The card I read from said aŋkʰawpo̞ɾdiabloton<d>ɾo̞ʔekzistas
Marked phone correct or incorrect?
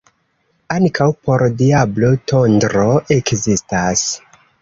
correct